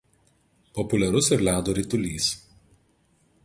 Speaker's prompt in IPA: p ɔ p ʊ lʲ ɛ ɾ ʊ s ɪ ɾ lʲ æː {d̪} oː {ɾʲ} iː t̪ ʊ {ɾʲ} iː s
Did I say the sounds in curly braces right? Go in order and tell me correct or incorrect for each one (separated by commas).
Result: correct, correct, incorrect